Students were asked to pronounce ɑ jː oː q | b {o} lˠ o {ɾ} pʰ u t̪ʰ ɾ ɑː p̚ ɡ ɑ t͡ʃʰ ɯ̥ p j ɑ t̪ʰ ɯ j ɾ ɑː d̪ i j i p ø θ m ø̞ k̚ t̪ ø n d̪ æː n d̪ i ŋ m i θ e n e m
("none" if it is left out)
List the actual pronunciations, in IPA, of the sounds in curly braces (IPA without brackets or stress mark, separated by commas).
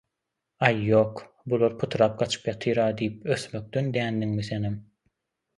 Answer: u, ɾ